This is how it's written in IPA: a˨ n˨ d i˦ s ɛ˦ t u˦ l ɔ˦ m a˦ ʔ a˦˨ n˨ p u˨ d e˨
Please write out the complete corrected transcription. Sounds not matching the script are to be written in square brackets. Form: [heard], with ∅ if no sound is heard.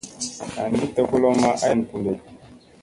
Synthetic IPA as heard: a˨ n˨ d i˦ [t] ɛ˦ [k] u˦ l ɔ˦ m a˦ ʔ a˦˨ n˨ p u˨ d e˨